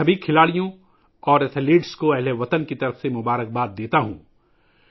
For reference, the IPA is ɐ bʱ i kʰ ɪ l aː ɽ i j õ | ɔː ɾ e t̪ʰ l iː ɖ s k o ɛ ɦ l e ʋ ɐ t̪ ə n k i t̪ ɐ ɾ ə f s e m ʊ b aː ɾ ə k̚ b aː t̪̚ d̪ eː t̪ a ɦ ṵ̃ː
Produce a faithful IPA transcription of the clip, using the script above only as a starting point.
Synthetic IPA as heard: ɐ bʱ i kʰ ɪ l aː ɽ i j õ | ɔː ɾ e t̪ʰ l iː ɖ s k o ɛ ɦ l e ʋ ɐ t̪ ə n k i t̪ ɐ ɾ ə f s e m ʊ b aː ɾ ə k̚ b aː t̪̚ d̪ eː t̪ a ɦ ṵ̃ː